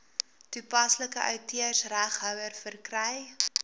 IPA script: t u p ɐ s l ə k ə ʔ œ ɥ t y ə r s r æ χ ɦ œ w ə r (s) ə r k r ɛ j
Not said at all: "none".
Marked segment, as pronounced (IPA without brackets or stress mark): f